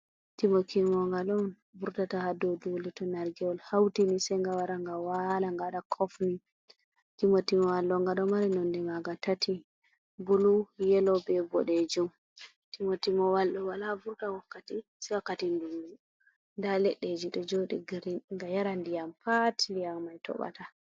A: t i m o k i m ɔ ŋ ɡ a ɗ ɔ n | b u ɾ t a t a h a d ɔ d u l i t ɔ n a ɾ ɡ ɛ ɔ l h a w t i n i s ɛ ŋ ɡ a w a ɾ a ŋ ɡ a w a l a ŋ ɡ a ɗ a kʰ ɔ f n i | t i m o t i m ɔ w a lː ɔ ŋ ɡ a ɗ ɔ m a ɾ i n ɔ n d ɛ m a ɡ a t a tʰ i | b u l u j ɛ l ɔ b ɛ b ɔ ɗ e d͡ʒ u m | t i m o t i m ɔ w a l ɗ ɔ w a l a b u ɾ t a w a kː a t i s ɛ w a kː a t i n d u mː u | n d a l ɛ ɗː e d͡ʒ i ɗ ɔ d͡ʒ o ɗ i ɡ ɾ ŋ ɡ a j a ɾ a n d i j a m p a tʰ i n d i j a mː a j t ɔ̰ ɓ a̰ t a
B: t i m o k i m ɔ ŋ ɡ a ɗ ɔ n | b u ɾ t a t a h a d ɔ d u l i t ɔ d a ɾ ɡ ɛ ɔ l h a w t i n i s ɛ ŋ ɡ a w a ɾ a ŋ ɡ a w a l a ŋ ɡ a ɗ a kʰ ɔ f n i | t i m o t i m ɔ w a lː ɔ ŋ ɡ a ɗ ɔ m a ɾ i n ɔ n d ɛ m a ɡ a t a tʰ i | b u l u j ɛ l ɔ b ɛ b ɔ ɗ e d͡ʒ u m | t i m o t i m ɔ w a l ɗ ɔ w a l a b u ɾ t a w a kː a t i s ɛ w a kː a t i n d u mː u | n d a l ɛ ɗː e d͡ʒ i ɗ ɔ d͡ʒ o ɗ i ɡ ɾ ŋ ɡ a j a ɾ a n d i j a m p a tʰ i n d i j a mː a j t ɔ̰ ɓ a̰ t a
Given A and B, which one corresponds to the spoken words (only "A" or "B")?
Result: A